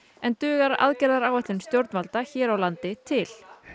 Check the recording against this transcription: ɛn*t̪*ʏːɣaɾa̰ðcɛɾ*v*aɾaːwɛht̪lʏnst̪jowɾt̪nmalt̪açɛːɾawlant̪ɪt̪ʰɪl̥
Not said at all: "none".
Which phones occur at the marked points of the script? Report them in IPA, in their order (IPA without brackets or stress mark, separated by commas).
t̪, ð